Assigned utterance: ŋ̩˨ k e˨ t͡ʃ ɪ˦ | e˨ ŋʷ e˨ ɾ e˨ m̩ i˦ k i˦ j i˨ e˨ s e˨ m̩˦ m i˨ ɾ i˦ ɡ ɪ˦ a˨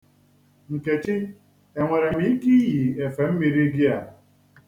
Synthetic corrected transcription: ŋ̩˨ k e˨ t͡ʃ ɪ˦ | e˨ ŋʷ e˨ ɾ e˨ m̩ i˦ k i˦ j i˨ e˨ f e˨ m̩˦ m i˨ ɾ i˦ ɡ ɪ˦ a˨